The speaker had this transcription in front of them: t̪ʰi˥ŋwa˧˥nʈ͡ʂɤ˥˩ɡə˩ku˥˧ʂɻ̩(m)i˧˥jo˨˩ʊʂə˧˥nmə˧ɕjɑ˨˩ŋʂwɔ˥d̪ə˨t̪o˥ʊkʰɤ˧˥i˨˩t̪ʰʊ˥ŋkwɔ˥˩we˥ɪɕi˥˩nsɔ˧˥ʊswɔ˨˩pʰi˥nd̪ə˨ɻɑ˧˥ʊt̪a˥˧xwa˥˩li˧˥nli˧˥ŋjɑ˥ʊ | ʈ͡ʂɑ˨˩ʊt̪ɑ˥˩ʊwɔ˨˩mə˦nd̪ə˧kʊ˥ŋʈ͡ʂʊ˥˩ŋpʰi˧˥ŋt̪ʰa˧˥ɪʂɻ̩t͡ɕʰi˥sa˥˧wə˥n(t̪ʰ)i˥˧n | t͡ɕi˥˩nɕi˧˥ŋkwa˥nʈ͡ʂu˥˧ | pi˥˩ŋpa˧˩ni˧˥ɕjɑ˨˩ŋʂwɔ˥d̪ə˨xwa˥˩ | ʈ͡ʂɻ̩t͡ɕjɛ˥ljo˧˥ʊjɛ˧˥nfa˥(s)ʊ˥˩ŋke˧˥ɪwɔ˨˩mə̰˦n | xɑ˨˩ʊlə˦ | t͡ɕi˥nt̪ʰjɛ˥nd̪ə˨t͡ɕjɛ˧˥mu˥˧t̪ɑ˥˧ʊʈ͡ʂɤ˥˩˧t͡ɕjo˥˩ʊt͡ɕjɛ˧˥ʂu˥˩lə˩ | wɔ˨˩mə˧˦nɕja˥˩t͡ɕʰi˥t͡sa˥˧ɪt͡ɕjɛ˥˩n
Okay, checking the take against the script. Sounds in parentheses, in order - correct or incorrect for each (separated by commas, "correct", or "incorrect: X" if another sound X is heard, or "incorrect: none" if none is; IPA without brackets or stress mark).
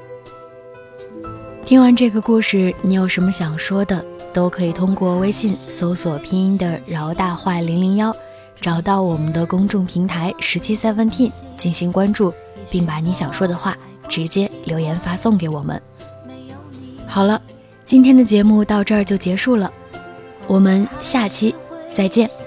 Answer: incorrect: n, correct, correct